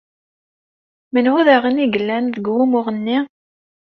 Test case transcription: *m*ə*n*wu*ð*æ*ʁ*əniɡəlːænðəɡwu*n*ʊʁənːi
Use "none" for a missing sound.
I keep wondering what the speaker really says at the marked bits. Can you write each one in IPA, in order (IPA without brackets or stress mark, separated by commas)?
m, n, ð, ʁ, m